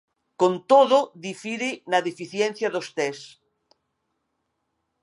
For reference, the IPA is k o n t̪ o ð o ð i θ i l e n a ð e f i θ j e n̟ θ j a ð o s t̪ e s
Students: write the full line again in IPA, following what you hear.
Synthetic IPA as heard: k o n t̪ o ð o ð i f i ɾ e n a ð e f i θ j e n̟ θ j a ð o s t̪ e s

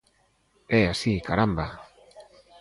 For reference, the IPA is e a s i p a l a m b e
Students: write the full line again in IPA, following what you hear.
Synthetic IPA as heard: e a s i k a ɾ a m b a

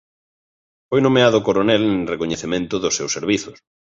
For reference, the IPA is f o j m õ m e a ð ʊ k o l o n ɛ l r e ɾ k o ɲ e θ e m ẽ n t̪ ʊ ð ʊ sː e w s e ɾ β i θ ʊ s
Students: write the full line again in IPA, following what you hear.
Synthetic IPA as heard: f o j n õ m e a ð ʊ k o ɾ o n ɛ l r e k o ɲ e θ e m ẽ n t̪ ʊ ð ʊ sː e w s e ɾ β i θ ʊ s

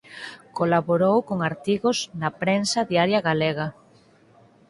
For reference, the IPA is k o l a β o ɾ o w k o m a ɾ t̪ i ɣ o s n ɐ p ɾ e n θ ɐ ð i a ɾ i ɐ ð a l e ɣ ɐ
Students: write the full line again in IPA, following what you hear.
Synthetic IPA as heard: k o l a β o ɾ o w k o ŋ a ɾ t̪ i ɣ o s n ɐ p ɾ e n s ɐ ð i a ɾ j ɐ ɣ a l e ɣ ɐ

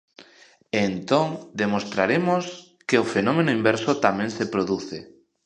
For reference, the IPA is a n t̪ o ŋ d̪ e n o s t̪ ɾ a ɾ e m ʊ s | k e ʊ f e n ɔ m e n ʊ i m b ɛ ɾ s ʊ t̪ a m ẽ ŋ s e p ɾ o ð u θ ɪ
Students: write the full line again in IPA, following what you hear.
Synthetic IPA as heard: e n t̪ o ŋ d̪ e m o s t̪ ɾ a ɾ e m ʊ s | k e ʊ f e n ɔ m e n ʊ i m b ɛ ɾ s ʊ t̪ a m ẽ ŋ s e p ɾ o ð u θ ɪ

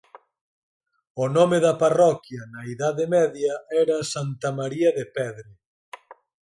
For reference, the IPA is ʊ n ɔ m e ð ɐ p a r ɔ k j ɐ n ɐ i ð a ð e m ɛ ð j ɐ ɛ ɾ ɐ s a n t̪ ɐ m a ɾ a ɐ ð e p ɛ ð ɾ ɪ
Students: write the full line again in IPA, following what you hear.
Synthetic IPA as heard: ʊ n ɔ m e ð ɐ p a r ɔ k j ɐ n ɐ i ð a ð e m ɛ ð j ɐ ɛ ɾ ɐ s a n t̪ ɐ m a ɾ i ɐ ð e p ɛ ð ɾ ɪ

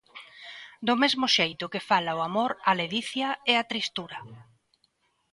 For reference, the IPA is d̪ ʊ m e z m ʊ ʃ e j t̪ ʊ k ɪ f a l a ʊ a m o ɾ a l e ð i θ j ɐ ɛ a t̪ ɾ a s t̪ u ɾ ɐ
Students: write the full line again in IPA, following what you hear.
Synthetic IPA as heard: d̪ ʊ m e z m ʊ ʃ e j t̪ ʊ k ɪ f a l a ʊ a m o ɾ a l e ð i θ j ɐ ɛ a t̪ ɾ i s t̪ u ɾ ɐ

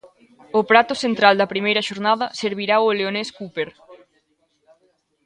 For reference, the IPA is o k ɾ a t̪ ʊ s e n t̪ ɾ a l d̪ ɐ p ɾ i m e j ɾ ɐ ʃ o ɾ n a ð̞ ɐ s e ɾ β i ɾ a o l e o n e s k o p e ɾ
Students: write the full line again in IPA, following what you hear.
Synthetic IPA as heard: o p ɾ a t̪ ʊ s e n t̪ ɾ a l d̪ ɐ p ɾ i m e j ɾ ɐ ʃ o ɾ n a ð̞ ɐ s e ɾ β i ɾ a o l e o n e s k u p e ɾ

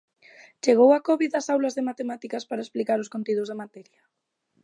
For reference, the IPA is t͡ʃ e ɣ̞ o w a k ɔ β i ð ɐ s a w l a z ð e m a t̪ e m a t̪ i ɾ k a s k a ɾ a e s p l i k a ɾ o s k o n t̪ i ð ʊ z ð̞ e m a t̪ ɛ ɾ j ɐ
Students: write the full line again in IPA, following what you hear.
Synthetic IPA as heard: t͡ʃ e ɣ̞ o w a k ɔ β i ð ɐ s a w l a z ð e m a t̪ e m a t̪ i k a s p a ɾ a e s p l i k a ɾ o s k o n t̪ i ð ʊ z ð̞ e m a t̪ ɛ ɾ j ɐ

